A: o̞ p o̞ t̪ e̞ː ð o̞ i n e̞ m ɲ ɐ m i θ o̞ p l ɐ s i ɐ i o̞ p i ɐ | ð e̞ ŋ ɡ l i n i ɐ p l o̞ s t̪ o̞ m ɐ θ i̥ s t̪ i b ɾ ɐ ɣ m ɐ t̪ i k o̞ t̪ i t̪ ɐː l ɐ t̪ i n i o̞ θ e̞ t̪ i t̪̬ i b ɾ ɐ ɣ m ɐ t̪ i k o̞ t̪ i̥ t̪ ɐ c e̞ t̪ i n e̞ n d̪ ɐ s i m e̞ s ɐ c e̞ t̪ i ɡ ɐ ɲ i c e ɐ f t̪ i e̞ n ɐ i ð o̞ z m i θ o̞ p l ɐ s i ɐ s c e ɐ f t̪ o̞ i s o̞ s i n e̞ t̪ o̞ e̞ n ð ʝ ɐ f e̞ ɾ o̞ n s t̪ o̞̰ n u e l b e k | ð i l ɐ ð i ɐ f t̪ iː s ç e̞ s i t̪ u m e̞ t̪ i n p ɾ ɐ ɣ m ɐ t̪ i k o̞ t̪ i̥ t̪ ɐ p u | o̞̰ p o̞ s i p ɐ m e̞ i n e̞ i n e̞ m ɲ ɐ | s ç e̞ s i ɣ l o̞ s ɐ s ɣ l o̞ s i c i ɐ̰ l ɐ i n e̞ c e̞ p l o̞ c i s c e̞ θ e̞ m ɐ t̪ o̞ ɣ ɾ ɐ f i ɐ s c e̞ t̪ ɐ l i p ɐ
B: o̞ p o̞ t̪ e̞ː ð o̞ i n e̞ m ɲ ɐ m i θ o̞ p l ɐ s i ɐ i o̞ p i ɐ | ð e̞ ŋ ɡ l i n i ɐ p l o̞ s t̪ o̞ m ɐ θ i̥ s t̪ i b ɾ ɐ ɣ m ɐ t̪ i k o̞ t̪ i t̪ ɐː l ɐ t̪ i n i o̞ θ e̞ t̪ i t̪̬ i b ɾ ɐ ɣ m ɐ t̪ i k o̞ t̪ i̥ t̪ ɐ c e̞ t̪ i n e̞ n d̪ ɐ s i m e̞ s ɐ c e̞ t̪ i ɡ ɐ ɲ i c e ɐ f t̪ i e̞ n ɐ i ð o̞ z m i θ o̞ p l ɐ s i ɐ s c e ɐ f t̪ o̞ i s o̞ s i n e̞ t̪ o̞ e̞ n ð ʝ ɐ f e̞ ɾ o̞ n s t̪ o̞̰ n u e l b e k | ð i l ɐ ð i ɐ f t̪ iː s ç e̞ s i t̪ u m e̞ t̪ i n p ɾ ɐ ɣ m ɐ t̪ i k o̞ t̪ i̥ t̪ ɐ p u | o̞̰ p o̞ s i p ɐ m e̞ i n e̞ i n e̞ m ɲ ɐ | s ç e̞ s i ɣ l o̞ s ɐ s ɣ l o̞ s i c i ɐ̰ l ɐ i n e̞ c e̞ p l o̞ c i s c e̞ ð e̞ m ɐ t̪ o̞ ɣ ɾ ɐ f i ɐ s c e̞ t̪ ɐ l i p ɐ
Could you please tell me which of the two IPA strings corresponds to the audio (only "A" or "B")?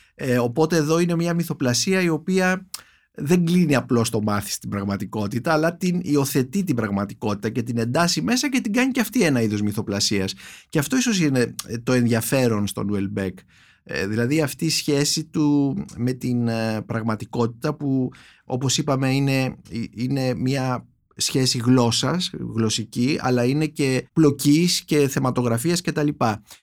A